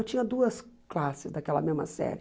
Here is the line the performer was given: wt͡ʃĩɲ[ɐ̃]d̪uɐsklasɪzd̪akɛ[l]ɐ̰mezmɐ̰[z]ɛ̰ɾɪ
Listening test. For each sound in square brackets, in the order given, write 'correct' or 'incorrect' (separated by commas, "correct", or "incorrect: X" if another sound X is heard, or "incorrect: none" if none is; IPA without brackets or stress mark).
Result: incorrect: ɐ, correct, incorrect: s